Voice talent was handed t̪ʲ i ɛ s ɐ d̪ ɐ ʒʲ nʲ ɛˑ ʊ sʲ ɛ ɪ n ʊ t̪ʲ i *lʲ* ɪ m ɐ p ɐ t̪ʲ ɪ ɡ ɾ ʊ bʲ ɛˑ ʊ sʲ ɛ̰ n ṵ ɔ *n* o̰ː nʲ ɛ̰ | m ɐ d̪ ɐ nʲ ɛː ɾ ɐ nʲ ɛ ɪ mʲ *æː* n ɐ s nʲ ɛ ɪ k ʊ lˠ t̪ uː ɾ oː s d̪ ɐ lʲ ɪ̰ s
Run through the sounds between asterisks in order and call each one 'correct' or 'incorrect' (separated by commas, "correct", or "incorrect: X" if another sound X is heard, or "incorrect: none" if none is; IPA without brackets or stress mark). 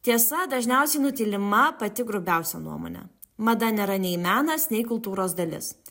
correct, incorrect: m, correct